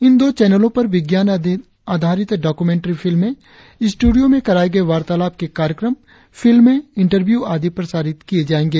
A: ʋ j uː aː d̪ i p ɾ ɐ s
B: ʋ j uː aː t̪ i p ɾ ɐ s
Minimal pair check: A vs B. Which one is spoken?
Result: A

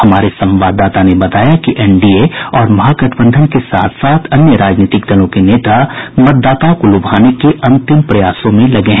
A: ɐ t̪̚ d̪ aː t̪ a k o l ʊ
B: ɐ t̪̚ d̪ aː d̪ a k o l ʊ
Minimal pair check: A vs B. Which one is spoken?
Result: A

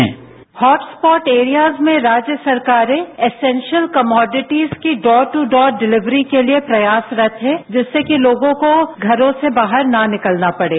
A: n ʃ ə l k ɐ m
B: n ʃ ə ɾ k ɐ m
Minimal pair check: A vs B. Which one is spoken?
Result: A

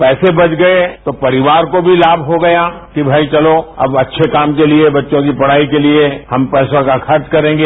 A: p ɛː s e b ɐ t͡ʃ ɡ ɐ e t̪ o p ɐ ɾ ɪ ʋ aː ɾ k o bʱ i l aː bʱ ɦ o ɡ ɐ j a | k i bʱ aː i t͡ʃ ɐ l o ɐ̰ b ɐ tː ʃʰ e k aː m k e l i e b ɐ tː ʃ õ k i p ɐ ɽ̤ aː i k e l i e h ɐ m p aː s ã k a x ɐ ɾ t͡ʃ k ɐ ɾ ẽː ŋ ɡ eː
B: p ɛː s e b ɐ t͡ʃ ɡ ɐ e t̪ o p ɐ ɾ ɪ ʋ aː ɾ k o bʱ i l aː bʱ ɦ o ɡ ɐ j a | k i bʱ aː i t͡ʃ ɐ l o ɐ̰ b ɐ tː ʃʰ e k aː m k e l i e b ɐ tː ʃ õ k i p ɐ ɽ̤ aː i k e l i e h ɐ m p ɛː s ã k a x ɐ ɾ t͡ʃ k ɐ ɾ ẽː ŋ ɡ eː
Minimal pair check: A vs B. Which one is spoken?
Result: B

